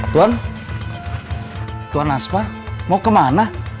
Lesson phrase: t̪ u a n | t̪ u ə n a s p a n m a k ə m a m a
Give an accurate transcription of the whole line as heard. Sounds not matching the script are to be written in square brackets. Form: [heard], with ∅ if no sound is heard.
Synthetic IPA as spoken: t̪ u a n | t̪ u [a] n a s p a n m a k ə m a [n] a